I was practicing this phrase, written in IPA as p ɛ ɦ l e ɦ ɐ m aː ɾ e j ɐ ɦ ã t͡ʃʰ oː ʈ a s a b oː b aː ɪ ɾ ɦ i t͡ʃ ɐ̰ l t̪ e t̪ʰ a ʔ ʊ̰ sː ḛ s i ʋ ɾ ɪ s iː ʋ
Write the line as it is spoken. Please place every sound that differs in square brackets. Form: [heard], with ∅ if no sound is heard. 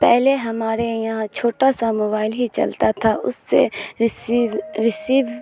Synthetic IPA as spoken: p ɛ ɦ l e ɦ ɐ m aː ɾ e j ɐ ɦ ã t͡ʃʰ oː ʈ a s a [m] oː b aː ɪ [l] ɦ i t͡ʃ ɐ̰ l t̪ [a] t̪ʰ a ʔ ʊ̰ sː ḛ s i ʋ ɾ ɪ s iː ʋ